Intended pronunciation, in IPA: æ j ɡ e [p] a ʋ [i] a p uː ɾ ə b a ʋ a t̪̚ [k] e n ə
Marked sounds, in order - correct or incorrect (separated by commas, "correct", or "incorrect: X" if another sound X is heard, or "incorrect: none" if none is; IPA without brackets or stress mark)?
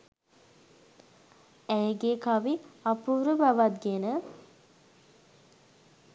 incorrect: k, correct, incorrect: ɡ